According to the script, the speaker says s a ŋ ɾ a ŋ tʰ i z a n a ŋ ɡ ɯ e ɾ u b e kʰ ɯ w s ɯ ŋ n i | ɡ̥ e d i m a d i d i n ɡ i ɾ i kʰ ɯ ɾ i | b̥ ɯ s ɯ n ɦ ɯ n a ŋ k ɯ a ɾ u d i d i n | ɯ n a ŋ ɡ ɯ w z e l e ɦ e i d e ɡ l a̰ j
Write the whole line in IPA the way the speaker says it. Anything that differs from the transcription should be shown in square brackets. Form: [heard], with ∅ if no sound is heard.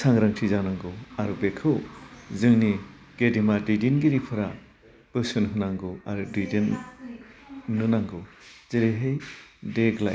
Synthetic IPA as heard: s a ŋ ɾ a ŋ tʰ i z a n a ŋ ɡ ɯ [a] ɾ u b e kʰ ɯ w [z] ɯ ŋ n i | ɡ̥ e d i m a d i d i n ɡ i ɾ i [pʰ] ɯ ɾ [a] | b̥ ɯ s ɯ n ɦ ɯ n a ŋ [ɡ] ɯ a ɾ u d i d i n | ɯ n a ŋ ɡ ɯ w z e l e ɦ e [j] d e ɡ l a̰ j